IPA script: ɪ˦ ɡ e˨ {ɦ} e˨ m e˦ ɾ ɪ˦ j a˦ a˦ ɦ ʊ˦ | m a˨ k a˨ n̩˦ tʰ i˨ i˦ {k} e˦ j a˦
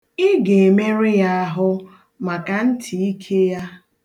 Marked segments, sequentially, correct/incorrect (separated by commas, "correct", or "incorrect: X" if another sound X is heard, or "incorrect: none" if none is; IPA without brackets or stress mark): incorrect: none, incorrect: kʰ